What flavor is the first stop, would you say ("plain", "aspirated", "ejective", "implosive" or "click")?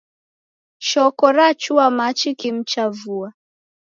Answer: plain